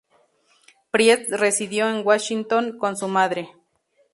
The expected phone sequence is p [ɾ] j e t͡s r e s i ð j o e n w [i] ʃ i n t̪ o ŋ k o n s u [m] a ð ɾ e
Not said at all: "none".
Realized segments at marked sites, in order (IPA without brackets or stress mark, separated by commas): ɾ, a, m